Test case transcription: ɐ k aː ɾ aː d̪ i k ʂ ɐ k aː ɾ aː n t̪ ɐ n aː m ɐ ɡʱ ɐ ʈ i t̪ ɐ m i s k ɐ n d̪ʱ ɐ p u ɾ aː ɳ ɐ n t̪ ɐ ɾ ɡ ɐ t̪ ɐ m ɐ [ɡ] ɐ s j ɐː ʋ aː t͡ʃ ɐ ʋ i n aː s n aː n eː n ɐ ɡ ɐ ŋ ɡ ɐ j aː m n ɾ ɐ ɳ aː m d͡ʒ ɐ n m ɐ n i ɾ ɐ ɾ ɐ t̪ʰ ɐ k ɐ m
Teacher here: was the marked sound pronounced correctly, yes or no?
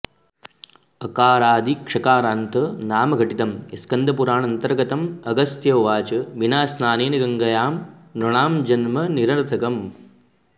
yes